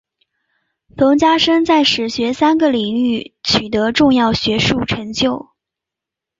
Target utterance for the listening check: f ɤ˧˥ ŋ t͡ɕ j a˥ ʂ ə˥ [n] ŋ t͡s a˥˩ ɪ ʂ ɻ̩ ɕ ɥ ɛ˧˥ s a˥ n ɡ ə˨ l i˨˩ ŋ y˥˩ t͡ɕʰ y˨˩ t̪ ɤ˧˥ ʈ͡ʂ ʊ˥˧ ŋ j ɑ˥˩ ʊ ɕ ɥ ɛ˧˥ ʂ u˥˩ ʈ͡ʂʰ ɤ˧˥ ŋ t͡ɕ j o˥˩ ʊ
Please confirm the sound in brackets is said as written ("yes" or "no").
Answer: no